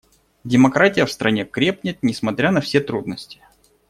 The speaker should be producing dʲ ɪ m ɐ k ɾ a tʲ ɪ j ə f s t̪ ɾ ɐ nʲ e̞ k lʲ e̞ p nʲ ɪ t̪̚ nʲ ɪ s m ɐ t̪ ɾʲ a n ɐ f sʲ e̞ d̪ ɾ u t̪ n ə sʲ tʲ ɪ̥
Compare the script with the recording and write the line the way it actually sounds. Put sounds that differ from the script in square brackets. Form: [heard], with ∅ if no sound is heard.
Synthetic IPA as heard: dʲ ɪ m ɐ k ɾ a tʲ ɪ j ə f s t̪ ɾ ɐ nʲ e̞ k [ɾʲ] e̞ p nʲ ɪ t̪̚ nʲ ɪ s m ɐ t̪ ɾʲ a n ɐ f sʲ e̞ [t̪] ɾ u [d̪] n ə sʲ tʲ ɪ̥